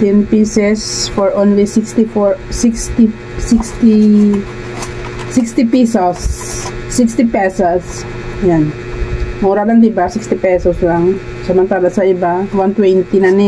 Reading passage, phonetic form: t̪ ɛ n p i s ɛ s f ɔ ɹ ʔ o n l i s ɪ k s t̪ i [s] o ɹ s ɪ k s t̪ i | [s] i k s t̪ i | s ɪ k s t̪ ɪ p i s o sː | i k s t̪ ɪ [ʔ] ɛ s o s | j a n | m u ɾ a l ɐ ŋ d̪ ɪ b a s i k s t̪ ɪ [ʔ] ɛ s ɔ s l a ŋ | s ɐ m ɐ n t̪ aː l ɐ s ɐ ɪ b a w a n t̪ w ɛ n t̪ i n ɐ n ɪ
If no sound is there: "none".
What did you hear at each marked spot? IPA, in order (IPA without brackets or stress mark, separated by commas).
f, s, p, p